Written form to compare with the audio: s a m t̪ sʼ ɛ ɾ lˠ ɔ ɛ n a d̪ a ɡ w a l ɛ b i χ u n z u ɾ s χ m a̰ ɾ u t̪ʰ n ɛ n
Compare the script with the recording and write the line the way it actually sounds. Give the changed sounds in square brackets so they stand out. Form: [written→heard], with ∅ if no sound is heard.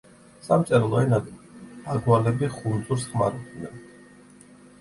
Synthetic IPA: s a m t̪ sʼ ɛ ɾ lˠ ɔ ɛ n a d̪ a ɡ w a l ɛ b i χ u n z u ɾ s χ m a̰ ɾ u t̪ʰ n ɛ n